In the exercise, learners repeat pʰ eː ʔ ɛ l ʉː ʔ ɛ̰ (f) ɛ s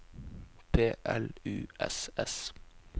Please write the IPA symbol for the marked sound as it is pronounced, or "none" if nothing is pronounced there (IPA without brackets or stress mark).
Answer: s